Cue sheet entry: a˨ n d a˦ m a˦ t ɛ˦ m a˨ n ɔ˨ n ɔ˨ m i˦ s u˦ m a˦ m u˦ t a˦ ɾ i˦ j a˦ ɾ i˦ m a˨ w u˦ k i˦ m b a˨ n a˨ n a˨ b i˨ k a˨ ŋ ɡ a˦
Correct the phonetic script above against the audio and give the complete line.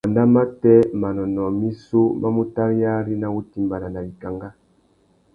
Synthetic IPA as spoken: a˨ n d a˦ m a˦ t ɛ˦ m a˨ n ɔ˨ n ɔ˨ m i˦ s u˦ m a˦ m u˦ t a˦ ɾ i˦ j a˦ ɾ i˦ n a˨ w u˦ t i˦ m b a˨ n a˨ n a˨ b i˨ k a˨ ŋ ɡ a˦